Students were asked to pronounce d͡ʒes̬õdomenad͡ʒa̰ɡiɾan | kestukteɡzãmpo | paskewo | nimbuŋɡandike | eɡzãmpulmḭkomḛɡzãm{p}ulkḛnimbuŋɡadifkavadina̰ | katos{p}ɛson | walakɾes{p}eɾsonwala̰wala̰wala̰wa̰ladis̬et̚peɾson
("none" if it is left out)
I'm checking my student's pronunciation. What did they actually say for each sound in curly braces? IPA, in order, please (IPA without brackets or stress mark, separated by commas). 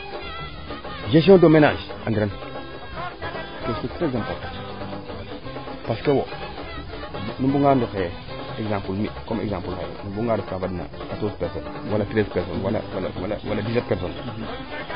p, p, p